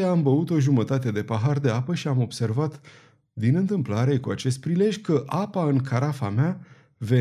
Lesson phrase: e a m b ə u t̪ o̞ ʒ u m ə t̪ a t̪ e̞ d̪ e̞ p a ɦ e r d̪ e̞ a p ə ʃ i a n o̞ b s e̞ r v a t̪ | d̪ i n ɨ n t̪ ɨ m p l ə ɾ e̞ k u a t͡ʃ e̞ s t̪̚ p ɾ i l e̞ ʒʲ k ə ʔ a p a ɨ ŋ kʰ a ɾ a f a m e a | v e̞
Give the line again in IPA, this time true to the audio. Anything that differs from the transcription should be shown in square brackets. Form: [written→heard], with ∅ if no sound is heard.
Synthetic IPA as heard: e a m b ə u t̪ o̞ ʒ u m ə t̪ a t̪ e̞ d̪ e̞ p a ɦ [e→a] r d̪ e̞ a p ə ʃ i a [n→m] o̞ b s e̞ r v a t̪ | d̪ i n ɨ n t̪ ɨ m p l [ə→a] ɾ e̞ k u a t͡ʃ e̞ s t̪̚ p ɾ i l e̞ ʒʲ k ə ʔ a p a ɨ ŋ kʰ a ɾ a f a m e a | v e̞